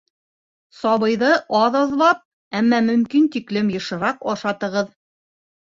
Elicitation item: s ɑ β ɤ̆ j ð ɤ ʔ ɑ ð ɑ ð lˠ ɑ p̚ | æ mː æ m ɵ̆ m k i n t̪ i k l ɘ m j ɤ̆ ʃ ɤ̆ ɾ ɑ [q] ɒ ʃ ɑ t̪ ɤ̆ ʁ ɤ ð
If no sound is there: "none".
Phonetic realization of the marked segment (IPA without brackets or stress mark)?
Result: q